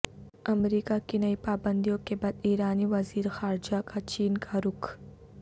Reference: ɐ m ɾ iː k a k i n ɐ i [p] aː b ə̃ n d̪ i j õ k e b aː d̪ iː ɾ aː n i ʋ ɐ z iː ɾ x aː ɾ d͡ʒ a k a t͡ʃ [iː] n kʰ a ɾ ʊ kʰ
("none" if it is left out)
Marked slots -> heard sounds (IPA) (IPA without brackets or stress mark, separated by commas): p, iː